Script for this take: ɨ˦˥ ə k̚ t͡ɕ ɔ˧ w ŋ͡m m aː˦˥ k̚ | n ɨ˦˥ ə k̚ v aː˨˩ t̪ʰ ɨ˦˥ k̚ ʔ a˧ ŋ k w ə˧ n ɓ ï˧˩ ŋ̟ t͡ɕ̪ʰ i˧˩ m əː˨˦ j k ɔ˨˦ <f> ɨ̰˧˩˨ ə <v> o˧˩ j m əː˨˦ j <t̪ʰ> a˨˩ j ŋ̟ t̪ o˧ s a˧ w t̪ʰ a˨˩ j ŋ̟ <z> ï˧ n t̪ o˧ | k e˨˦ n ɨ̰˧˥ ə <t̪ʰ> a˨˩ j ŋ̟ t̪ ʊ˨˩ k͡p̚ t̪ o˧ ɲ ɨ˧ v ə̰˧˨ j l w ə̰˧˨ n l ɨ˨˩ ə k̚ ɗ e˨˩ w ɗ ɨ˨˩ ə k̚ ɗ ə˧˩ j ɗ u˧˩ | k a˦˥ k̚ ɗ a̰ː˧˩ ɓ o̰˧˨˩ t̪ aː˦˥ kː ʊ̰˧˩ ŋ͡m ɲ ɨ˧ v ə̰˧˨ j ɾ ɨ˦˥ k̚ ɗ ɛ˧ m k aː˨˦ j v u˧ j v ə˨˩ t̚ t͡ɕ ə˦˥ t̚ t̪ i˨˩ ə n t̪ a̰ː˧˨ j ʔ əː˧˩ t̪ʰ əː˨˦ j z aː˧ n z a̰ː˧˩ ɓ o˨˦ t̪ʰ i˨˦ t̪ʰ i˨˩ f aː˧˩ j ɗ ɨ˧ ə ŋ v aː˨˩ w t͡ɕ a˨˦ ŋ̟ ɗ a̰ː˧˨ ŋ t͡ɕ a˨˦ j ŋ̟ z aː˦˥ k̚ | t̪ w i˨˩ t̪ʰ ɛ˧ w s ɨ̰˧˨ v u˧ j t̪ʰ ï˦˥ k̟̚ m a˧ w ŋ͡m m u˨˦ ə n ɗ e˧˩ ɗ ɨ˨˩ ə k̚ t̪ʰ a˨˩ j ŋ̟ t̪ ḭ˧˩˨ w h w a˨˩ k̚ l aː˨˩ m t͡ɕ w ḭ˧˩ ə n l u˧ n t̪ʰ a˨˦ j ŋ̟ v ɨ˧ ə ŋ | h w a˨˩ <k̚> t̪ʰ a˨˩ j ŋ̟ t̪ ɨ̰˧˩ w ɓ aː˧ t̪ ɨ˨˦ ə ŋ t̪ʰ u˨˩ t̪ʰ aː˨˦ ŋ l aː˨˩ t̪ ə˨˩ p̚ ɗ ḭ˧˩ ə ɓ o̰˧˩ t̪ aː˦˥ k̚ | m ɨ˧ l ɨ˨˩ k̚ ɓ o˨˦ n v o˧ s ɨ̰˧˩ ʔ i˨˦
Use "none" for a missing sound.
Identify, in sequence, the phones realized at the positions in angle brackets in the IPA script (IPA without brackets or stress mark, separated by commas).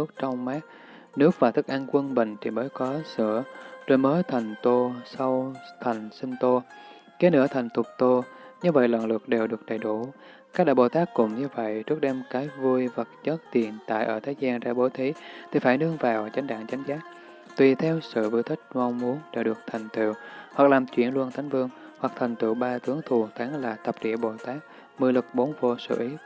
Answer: s, z, t̪ʰ, s, t̪ʰ, k̚